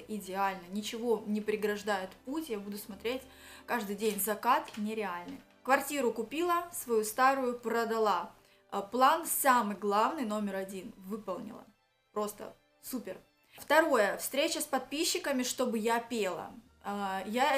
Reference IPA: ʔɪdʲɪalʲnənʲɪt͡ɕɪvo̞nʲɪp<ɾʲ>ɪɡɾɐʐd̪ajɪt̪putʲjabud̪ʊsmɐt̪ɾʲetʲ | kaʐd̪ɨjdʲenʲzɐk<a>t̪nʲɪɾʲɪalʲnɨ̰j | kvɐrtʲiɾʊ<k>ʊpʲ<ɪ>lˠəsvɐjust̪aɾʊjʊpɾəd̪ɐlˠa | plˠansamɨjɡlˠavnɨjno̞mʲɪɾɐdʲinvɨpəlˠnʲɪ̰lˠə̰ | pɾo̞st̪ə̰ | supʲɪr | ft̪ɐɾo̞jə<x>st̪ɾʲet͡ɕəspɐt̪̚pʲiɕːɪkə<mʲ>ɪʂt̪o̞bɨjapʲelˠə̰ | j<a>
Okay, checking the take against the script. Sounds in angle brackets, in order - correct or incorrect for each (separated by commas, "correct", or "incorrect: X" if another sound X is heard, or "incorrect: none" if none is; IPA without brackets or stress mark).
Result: correct, correct, correct, incorrect: i, incorrect: f, correct, correct